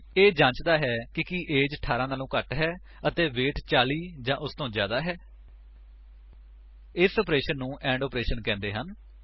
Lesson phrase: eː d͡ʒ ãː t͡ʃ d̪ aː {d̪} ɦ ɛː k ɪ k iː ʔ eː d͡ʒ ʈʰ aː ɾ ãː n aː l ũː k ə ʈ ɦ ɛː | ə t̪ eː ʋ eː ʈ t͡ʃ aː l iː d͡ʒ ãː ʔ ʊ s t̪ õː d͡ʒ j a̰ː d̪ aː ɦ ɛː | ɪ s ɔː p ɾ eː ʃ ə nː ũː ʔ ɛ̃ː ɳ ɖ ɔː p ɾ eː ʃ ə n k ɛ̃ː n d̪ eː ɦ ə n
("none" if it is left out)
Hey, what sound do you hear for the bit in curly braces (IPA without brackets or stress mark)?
none